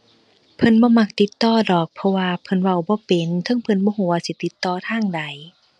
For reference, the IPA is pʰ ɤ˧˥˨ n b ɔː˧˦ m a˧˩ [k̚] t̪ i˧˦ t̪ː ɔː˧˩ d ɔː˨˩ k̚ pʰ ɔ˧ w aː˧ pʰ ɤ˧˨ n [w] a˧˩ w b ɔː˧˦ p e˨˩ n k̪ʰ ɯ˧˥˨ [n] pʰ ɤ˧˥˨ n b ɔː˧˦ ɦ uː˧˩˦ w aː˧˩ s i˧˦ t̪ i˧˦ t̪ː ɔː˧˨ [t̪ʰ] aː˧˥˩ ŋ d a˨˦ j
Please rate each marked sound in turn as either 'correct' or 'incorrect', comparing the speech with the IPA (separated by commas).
correct, correct, incorrect, correct